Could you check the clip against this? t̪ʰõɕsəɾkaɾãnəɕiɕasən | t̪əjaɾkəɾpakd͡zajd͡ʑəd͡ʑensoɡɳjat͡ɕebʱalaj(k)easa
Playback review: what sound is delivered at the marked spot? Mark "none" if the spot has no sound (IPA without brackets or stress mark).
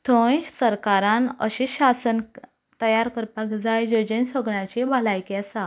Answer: k